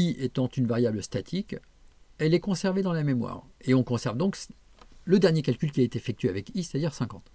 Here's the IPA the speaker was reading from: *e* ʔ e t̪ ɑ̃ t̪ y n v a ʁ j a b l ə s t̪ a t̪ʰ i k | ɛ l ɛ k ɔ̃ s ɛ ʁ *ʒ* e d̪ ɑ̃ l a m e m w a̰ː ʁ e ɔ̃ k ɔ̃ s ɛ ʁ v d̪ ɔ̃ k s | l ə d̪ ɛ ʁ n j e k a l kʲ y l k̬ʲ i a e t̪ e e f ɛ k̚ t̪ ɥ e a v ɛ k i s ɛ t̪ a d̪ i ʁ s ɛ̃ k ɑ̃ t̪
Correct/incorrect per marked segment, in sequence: incorrect: i, incorrect: v

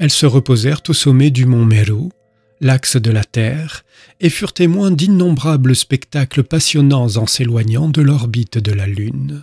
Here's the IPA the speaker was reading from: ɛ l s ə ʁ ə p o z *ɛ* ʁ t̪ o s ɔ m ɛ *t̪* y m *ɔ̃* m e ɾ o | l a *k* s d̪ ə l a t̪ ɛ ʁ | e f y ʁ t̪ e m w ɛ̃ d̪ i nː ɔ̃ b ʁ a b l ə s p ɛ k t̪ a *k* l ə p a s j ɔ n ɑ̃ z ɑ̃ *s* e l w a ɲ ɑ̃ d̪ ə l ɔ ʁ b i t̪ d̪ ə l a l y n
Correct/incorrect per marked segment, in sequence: correct, incorrect: d̪, correct, correct, correct, correct

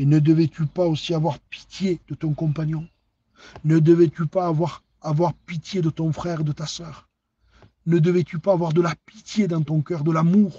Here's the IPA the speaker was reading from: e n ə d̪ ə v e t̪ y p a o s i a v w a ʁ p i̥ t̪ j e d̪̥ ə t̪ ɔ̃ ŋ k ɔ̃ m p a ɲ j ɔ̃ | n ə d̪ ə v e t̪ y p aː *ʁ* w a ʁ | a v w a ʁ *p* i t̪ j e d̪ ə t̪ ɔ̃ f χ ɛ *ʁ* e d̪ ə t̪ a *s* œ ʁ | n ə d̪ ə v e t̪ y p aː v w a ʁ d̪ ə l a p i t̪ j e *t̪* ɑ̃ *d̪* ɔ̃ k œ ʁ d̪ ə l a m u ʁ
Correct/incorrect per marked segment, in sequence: incorrect: v, correct, correct, correct, incorrect: d̪, incorrect: t̪

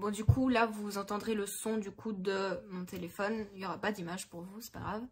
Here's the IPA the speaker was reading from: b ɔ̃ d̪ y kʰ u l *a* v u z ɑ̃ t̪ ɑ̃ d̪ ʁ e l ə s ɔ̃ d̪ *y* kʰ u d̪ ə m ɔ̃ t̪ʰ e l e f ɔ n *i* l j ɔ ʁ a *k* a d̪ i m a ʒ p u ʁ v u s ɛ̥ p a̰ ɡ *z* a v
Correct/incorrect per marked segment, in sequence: correct, correct, correct, incorrect: p, incorrect: ʁ

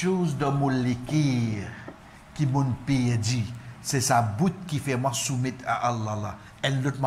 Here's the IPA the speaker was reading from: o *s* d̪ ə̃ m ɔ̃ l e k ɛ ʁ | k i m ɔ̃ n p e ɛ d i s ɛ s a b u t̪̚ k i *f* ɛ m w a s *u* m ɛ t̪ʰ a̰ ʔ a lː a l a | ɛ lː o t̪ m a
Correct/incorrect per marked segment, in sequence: incorrect: z, correct, correct

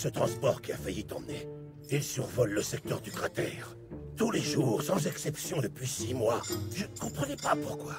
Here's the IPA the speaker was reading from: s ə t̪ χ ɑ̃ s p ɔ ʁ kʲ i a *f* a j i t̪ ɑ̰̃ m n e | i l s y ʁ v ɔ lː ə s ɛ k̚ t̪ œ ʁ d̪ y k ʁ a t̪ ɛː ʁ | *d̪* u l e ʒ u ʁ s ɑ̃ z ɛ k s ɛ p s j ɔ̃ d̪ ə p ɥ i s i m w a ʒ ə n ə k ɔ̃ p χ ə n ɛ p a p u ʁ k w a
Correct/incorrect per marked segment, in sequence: correct, incorrect: t̪

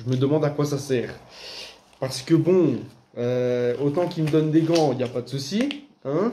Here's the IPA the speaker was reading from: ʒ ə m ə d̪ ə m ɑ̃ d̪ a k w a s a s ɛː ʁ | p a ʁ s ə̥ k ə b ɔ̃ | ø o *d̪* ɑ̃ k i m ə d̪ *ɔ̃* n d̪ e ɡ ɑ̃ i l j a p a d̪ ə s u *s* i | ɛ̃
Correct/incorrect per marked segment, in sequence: incorrect: t̪, incorrect: ɔ, correct

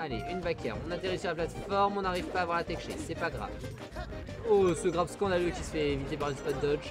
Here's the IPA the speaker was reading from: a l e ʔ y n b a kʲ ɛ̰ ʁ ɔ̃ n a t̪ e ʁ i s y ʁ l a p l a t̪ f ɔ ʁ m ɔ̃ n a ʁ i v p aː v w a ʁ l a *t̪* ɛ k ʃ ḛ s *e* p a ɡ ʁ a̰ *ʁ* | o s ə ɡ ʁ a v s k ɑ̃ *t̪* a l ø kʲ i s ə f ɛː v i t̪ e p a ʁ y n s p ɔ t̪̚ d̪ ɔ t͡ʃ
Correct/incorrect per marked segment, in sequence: correct, incorrect: ɛ, incorrect: v, incorrect: d̪

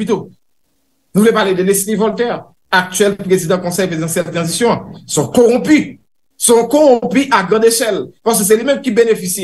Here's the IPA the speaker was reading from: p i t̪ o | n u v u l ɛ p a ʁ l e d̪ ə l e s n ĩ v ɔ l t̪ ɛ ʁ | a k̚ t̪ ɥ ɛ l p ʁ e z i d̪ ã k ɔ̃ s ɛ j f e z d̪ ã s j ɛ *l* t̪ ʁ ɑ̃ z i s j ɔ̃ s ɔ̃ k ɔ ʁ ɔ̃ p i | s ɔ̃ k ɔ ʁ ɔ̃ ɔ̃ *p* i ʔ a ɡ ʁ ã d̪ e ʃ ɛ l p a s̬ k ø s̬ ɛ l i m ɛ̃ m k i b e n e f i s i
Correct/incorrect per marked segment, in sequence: correct, correct

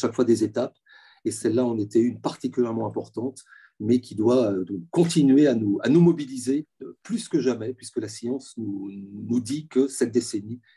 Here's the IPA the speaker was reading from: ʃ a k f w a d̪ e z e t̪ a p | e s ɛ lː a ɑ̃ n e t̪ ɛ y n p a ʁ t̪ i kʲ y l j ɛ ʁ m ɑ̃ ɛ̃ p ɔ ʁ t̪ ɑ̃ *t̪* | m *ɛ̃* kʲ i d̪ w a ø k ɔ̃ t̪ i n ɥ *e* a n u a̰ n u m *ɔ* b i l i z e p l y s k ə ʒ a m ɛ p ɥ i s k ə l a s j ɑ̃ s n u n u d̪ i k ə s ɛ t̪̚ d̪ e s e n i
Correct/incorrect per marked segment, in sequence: correct, incorrect: ɛ, correct, correct

